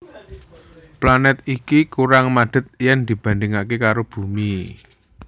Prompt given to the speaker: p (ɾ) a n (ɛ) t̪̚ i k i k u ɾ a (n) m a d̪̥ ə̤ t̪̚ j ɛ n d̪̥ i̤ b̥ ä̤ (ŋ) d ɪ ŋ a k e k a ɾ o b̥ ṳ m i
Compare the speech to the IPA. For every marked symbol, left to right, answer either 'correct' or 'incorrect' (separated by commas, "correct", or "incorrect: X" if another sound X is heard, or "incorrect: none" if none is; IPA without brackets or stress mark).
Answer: incorrect: l, correct, incorrect: ŋ, incorrect: n